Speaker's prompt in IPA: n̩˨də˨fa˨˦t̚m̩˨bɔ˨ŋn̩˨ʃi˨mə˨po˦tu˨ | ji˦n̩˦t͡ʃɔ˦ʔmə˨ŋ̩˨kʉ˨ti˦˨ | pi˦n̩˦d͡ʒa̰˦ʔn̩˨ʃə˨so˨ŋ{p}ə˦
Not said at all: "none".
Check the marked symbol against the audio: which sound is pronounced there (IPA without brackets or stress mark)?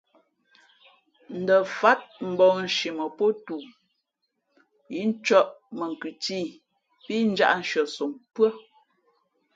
p